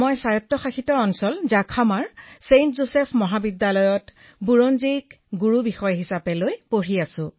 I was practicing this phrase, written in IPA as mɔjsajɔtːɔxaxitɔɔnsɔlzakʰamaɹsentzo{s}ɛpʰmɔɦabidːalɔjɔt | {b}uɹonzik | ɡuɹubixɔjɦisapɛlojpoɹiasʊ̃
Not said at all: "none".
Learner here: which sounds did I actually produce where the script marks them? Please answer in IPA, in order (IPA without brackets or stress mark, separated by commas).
s, b